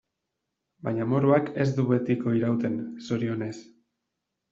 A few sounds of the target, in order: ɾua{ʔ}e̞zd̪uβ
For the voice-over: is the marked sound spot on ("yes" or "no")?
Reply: no